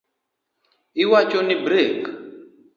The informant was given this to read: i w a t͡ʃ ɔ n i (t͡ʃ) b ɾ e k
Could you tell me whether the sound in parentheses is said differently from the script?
yes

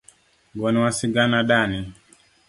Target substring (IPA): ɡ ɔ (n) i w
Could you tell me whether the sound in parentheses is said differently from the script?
no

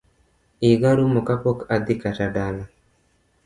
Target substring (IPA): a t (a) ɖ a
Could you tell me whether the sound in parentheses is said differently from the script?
no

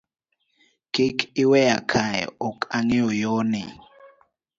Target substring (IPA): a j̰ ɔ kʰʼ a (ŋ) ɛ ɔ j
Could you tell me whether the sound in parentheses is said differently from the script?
no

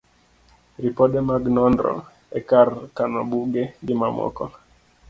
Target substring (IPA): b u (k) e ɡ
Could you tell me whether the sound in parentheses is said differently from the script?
yes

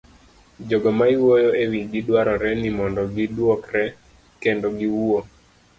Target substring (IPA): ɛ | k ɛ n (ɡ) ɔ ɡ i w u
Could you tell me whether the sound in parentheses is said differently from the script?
yes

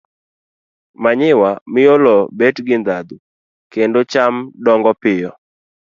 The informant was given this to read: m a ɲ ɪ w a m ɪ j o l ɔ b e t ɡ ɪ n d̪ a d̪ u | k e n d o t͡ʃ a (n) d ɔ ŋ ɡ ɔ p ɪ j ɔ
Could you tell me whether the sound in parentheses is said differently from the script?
yes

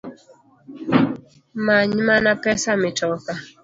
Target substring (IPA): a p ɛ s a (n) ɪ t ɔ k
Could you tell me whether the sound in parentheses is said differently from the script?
yes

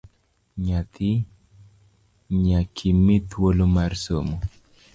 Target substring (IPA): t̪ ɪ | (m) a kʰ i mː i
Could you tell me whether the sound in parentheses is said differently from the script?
yes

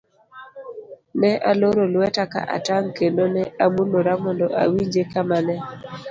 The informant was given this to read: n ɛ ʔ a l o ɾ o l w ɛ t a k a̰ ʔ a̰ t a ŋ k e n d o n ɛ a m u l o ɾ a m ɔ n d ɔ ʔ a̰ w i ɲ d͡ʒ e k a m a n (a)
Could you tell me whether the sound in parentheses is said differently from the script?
yes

